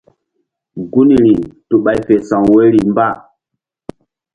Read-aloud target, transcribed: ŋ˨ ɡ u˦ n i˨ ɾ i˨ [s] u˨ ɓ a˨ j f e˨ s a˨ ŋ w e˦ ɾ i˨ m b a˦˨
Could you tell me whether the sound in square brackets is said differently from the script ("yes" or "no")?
yes